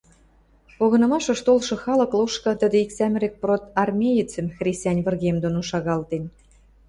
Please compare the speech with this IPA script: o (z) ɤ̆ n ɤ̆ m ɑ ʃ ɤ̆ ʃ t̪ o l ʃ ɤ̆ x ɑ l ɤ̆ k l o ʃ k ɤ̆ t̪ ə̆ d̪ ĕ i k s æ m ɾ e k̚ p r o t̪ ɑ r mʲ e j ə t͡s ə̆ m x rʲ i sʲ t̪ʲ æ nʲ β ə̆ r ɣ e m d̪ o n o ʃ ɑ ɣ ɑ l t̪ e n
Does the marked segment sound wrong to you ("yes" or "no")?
yes